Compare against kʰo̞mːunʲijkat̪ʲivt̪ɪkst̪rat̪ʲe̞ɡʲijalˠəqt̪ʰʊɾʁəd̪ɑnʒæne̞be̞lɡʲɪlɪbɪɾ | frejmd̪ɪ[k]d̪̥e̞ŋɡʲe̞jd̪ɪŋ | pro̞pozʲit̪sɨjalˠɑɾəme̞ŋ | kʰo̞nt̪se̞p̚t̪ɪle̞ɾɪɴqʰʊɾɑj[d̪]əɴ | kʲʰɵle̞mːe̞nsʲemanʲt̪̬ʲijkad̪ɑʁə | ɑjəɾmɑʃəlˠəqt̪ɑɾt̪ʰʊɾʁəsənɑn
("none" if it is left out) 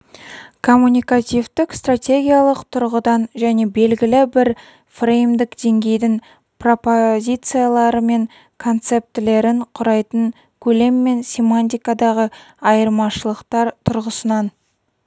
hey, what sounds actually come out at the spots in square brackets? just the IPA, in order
k, t̪

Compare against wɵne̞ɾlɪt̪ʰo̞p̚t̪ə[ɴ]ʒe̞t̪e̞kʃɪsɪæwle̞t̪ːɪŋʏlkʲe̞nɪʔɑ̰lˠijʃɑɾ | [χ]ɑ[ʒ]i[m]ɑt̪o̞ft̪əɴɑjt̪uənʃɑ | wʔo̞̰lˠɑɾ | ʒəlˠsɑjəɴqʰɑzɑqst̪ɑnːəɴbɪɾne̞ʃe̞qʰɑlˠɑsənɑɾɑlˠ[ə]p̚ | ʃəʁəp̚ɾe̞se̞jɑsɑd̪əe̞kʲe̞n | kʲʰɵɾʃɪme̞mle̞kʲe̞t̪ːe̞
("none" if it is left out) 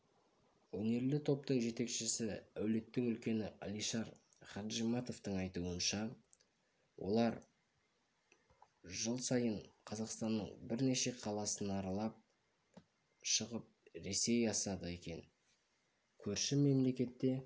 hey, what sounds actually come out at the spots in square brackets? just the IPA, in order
ɴ, χ, ʒ, m, ɑ

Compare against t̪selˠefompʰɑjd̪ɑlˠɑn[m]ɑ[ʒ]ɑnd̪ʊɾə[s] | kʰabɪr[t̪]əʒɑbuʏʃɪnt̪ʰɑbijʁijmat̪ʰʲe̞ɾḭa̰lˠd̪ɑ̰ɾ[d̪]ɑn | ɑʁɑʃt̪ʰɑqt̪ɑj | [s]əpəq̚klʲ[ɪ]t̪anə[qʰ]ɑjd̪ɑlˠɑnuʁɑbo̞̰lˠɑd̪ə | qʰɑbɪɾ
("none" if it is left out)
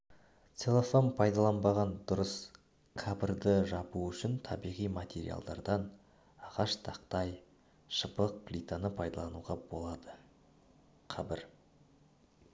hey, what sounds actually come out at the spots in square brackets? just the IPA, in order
b, ʁ, s, d̪, d̪, ʃ, i, pʰ

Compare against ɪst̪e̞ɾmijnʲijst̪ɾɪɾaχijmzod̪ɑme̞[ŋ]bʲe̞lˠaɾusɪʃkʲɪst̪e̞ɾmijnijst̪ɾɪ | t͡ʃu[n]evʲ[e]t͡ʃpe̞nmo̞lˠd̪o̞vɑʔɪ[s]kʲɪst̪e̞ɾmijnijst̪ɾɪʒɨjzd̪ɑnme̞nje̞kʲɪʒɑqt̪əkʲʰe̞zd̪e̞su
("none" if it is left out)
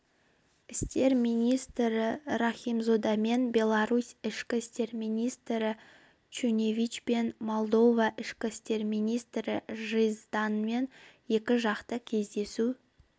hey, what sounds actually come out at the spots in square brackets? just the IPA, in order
n, n, i, ʃ

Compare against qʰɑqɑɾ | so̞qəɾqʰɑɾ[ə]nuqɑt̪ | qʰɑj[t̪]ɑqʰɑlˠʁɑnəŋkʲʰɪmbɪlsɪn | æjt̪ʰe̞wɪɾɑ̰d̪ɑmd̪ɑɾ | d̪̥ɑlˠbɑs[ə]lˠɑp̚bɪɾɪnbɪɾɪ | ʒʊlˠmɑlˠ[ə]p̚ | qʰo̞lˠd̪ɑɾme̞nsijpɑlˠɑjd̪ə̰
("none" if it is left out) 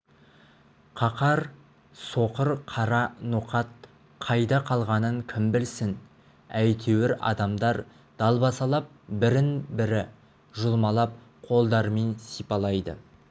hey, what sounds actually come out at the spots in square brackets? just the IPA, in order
ɑ, d̪, ɑ, ɑ

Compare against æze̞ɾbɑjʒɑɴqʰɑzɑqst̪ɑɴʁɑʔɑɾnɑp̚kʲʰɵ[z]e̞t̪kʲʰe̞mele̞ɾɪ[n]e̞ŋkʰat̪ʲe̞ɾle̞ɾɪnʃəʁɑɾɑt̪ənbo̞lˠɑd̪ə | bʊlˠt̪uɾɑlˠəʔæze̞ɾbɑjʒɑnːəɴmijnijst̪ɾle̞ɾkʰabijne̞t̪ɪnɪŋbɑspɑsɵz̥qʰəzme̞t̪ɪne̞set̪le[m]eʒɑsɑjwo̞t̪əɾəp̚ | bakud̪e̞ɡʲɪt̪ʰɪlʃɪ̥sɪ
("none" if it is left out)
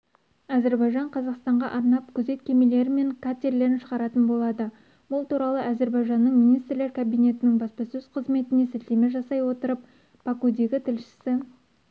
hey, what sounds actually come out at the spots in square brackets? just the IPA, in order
z, m, m

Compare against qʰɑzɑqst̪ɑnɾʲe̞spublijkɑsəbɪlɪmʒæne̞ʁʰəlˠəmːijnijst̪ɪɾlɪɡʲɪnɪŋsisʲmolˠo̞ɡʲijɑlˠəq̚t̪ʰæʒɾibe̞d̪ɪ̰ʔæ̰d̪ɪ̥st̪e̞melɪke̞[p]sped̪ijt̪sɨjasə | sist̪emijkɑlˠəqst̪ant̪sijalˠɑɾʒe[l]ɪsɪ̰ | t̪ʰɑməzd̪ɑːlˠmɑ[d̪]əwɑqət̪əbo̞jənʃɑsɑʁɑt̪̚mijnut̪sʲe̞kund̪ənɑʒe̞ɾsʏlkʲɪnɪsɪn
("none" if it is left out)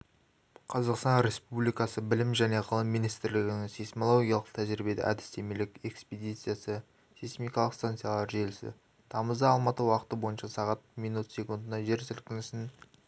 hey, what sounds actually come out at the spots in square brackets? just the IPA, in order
k, l, t̪

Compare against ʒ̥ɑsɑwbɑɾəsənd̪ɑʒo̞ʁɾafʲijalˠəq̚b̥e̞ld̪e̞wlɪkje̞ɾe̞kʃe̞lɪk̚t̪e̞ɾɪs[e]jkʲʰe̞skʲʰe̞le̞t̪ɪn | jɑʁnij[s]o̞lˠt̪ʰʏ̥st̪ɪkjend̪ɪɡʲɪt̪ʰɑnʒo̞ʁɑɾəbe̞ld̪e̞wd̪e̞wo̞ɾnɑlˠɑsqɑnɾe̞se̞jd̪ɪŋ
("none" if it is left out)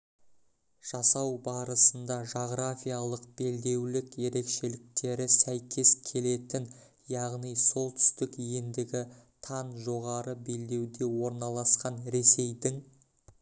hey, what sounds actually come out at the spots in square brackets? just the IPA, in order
æ, s

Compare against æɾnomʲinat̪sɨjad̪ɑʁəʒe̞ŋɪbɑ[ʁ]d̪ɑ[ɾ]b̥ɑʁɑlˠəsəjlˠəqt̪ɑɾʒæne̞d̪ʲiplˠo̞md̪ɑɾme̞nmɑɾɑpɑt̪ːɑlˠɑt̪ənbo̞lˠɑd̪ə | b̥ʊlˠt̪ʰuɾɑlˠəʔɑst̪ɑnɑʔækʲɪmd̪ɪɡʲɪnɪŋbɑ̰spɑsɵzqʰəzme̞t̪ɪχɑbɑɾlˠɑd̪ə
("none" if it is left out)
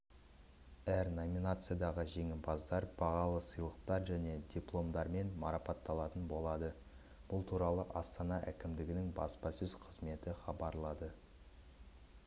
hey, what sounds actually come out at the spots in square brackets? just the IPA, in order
z, ɾ

